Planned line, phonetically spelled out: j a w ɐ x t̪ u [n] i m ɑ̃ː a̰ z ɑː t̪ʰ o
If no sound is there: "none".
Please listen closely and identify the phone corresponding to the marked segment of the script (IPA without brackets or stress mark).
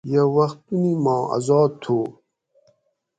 n